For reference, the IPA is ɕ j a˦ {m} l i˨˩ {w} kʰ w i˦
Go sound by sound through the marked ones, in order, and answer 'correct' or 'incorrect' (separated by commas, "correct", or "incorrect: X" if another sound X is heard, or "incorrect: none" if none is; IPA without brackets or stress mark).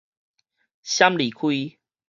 correct, incorrect: none